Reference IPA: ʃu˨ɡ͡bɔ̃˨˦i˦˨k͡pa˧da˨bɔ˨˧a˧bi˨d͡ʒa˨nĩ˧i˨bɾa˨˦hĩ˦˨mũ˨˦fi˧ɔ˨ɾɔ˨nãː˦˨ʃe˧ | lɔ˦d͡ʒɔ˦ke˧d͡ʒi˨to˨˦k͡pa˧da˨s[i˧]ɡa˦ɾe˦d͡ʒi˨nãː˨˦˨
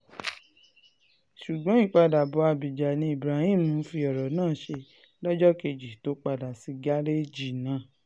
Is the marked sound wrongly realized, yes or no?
no